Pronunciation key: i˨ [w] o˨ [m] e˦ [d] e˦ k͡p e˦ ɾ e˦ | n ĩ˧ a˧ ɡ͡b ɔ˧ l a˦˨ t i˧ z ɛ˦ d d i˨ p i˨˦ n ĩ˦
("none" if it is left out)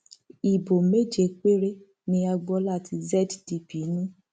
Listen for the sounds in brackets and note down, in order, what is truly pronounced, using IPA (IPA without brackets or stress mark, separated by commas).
b, m, d͡ʒ